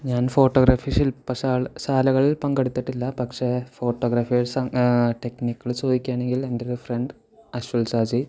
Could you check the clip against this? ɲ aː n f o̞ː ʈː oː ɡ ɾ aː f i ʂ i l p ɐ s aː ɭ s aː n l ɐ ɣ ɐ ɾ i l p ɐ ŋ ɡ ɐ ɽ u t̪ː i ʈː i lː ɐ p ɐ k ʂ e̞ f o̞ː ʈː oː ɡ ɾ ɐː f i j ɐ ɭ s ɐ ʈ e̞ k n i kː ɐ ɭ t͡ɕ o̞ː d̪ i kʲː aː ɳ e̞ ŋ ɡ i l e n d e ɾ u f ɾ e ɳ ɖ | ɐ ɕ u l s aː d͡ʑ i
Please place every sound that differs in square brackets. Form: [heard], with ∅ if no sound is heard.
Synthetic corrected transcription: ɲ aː n f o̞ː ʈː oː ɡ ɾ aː f i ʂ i l p ɐ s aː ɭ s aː [∅] l ɐ ɣ ɐ [ɭ] i l p ɐ ŋ ɡ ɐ ɽ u t̪ː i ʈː i lː ɐ p ɐ k ʂ e̞ f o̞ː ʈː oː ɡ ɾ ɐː f i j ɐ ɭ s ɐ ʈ e̞ k n i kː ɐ ɭ t͡ɕ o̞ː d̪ i kʲː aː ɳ e̞ ŋ ɡ i l e n d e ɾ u f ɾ e ɳ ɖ | ɐ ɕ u l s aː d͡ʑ i

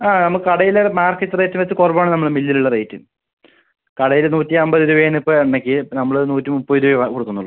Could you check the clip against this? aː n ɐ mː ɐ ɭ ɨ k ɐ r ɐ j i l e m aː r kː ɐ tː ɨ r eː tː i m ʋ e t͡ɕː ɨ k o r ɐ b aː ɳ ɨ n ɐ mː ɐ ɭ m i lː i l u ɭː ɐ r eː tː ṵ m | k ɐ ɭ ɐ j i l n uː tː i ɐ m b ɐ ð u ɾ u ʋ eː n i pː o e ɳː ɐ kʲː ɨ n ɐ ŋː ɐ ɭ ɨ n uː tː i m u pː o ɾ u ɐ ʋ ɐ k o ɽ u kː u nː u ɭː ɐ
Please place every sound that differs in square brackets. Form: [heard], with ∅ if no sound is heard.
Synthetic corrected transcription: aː n ɐ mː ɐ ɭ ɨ k ɐ [ɽ] ɐ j i l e m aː r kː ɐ tː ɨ r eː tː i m ʋ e t͡ɕː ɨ k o r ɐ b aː ɳ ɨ n ɐ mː ɐ ɭ m i lː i l u ɭː ɐ r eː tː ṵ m | k ɐ [ɽ] ɐ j i l n uː tː i ɐ m b ɐ ð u ɾ u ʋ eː n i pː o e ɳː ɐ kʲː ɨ n ɐ [mː] ɐ ɭ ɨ n uː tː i m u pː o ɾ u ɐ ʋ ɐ k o ɽ u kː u nː u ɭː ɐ

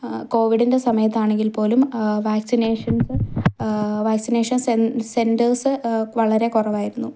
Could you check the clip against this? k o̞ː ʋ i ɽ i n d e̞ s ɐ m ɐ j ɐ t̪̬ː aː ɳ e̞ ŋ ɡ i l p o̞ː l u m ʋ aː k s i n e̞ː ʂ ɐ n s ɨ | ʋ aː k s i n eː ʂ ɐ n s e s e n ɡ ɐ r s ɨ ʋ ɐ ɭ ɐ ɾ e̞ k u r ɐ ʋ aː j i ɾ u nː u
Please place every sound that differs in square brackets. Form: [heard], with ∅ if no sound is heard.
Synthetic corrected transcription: k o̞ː ʋ i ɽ i n d e̞ s ɐ m ɐ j ɐ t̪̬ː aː ɳ e̞ ŋ ɡ i l p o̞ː l u m ʋ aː k s i n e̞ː ʂ ɐ n s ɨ | ʋ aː k s i n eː ʂ ɐ n s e s e n [d] ɐ r s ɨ ʋ ɐ ɭ ɐ ɾ e̞ k u r ɐ ʋ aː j i ɾ u nː u

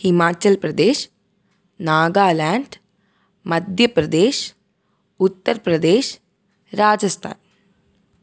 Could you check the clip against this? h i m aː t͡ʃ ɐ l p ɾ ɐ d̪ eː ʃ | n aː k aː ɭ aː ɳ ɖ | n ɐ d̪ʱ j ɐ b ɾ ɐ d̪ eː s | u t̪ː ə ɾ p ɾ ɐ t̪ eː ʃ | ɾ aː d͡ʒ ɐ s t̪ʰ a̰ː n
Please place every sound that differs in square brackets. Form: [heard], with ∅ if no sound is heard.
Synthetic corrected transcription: h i m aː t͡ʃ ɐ l p ɾ ɐ d̪ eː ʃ | n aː [ɡ] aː [l] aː ɳ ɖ | [m] ɐ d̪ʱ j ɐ [p] ɾ ɐ d̪ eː [ʃ] | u t̪ː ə ɾ p ɾ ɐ [d̪] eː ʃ | ɾ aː d͡ʒ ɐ s t̪ʰ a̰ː n

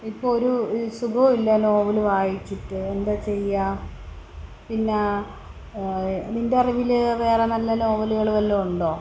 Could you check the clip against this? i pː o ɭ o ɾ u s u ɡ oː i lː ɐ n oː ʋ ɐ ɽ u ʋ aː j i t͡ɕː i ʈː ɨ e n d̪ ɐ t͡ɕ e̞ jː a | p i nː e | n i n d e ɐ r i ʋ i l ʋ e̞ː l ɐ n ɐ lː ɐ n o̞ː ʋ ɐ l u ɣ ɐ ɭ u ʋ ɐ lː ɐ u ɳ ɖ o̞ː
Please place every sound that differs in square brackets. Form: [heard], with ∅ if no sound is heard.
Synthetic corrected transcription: i pː o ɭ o ɾ u s u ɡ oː i lː ɐ n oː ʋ ɐ [l] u ʋ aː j i t͡ɕː i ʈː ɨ e n d̪ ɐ t͡ɕ e̞ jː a | p i nː e | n i n d e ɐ r i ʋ i l ʋ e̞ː [r] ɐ n ɐ lː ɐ n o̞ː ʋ ɐ l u ɣ ɐ ɭ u ʋ ɐ lː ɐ u ɳ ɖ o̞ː

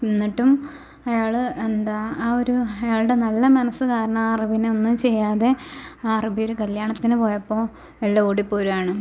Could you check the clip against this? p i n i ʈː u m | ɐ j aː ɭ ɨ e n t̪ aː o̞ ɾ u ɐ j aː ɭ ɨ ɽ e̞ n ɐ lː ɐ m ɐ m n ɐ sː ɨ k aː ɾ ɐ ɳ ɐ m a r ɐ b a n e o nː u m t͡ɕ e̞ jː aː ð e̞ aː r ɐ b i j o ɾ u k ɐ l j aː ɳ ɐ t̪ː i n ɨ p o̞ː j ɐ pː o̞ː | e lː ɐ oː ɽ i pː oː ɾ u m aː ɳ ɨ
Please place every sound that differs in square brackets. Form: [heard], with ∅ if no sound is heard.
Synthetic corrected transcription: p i [nː] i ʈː u m | ɐ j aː ɭ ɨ e n [d̪] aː o̞ ɾ u ɐ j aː ɭ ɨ ɽ e̞ n ɐ lː ɐ m ɐ [∅] n ɐ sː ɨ k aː ɾ ɐ ɳ ɐ m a r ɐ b [i] n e o nː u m t͡ɕ e̞ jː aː ð e̞ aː r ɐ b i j o ɾ u k ɐ l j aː ɳ ɐ t̪ː i n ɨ p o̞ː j ɐ pː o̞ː | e lː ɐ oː ɽ i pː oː ɾ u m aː ɳ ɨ

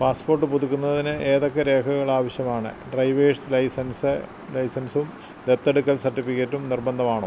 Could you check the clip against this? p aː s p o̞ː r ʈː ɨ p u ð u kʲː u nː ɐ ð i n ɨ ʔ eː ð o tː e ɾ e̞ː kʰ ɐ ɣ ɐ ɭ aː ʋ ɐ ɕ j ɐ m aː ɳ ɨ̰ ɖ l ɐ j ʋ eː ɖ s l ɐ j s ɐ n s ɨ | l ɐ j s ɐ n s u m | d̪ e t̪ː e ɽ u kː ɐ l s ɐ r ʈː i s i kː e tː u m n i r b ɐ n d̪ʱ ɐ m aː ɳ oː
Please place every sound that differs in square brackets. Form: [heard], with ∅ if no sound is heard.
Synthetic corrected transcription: p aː s p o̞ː r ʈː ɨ p u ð u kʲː u nː ɐ ð i n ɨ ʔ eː ð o [kː] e ɾ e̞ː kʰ ɐ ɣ ɐ ɭ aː ʋ ɐ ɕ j ɐ m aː ɳ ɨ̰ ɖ [r] ɐ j ʋ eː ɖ s l ɐ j s ɐ n s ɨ | l ɐ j s ɐ n s u m | d̪ e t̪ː e ɽ u kː ɐ l s ɐ r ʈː i [f] i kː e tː u m n i r b ɐ n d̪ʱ ɐ m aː ɳ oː

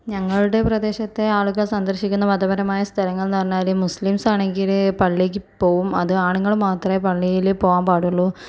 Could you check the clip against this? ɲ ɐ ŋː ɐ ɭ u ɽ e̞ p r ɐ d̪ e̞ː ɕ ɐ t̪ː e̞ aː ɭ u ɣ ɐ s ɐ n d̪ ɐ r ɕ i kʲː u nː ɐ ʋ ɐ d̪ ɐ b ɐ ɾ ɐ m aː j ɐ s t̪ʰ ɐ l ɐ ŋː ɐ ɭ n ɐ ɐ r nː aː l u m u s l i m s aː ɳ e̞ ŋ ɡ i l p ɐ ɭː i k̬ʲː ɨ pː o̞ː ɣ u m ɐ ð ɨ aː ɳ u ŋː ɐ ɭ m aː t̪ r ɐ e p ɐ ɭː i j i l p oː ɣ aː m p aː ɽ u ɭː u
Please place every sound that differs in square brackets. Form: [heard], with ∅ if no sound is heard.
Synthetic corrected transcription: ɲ ɐ ŋː ɐ ɭ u ɽ e̞ p r ɐ d̪ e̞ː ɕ ɐ t̪ː e̞ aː ɭ u ɣ ɐ s ɐ n d̪ ɐ r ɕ i kʲː u nː ɐ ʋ ɐ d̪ ɐ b ɐ ɾ ɐ m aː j ɐ s t̪ʰ ɐ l ɐ ŋː ɐ ɭ n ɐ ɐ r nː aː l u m u s l i m s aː ɳ e̞ ŋ ɡ i l p ɐ ɭː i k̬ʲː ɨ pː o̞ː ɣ u m ɐ ð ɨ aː ɳ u ŋː ɐ ɭ m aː t̪ r ɐ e p ɐ ɭː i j i l p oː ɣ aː m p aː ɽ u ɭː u

